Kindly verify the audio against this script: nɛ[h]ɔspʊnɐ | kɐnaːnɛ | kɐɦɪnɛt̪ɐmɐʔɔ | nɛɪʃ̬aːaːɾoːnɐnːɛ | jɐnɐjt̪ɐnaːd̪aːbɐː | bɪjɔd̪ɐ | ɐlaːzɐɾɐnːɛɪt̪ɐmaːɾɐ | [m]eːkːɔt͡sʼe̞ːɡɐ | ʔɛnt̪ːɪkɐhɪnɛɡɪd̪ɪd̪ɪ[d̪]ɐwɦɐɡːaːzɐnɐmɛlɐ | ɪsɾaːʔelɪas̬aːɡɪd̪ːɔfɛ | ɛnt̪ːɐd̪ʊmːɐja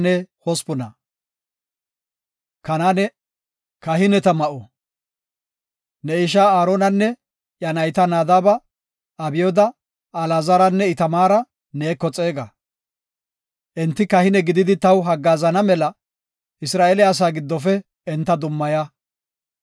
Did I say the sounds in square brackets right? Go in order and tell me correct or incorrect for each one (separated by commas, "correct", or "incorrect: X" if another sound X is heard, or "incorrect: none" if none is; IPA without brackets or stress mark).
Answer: correct, incorrect: n, incorrect: t̪